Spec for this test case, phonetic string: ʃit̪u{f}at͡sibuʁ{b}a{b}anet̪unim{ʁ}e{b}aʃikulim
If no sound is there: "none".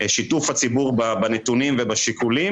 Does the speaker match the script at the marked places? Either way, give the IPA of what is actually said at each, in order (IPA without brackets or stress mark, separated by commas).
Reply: f, b, b, v, b